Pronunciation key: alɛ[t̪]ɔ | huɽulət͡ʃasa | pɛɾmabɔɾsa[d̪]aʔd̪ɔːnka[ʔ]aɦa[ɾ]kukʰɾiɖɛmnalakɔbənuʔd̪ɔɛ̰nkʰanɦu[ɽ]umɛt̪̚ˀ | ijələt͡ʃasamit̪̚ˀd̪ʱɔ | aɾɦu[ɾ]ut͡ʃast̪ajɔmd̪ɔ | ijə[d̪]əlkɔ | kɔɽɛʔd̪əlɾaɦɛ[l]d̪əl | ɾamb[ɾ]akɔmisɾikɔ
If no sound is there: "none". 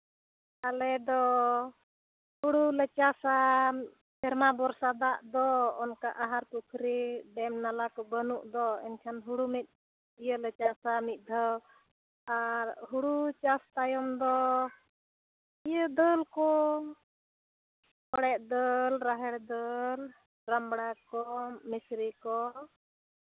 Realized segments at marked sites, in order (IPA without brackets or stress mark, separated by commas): d̪, d̪, ʔ, ɾ, ɽ, ɽ, d̪, ɽ, ɽ